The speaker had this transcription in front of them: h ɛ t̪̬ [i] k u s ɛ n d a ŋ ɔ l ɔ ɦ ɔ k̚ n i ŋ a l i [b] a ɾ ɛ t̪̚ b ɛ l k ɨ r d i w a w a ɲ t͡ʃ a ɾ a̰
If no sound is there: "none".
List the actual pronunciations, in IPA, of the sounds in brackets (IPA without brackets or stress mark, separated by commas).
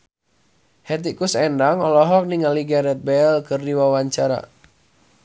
i, ɡ